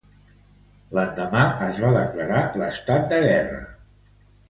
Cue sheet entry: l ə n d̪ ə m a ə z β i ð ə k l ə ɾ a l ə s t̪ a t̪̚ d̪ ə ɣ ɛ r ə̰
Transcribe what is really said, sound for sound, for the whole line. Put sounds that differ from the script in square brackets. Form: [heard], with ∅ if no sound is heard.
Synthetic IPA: l ə n d̪ ə m a ə z β [a] ð ə k l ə ɾ a l ə s t̪ a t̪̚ d̪ ə ɣ ɛ r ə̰